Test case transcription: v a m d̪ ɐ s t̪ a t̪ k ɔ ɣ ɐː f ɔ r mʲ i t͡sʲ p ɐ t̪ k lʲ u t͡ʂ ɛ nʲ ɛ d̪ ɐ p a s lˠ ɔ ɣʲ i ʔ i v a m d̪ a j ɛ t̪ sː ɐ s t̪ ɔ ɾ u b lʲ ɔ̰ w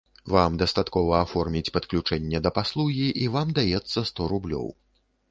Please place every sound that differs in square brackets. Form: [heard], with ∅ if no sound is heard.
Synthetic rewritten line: v a m d̪ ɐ s t̪ a t̪ k ɔ [v] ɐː f ɔ r mʲ i t͡sʲ p ɐ t̪ k lʲ u t͡ʂ ɛ [nʲː] ɛ d̪ ɐ p a s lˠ [u] ɣʲ i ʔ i v a m d̪ a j ɛ t̪ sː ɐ s t̪ ɔ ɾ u b lʲ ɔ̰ w